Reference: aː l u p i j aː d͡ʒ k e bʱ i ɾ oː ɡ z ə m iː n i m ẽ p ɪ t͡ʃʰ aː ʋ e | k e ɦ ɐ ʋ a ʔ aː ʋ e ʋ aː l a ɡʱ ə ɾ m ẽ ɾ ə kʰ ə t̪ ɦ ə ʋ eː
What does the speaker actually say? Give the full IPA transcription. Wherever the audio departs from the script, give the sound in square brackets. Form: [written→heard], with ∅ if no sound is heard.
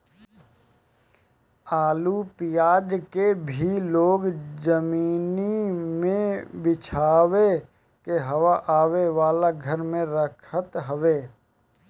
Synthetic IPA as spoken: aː l u p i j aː d͡ʒ k e bʱ i [ɾ→l] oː ɡ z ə m iː n i m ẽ [p→b] ɪ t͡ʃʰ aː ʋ e | k e ɦ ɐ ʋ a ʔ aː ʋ e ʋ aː l a ɡʱ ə ɾ m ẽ ɾ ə kʰ ə t̪ ɦ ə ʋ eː